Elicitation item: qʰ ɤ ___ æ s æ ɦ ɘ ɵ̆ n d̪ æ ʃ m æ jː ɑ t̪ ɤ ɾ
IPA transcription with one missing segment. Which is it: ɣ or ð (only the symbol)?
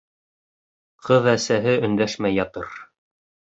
ð